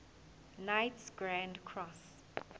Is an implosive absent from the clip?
yes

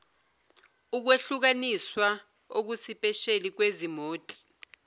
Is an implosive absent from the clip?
yes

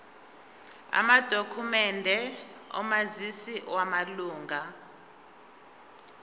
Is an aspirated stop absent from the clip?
no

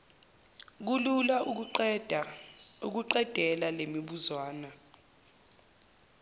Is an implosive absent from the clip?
no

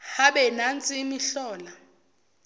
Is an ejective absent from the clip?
no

